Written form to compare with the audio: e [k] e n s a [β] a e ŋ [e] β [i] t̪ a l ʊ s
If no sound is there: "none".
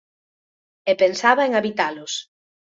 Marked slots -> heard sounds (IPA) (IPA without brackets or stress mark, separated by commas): p, β, a, i